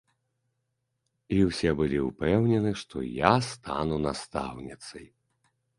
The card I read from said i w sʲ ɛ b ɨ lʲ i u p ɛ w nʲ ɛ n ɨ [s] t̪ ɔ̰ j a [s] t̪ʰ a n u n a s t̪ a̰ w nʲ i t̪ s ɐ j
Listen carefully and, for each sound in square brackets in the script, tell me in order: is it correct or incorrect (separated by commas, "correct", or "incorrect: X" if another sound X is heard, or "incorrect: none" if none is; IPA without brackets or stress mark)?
incorrect: ʂ, correct